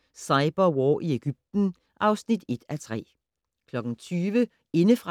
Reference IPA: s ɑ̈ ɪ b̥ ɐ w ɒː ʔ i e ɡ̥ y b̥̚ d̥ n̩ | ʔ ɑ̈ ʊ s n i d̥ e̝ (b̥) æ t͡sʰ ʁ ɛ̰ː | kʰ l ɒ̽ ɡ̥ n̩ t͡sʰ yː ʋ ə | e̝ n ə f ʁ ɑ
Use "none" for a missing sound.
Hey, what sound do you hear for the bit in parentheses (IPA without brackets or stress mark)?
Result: d̥